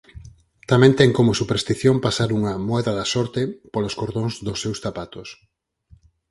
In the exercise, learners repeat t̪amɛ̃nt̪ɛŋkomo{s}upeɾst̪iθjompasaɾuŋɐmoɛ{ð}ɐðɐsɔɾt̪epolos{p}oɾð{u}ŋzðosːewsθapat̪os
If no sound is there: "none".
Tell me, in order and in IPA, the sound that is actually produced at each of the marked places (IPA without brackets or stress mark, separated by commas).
s, ð, k, o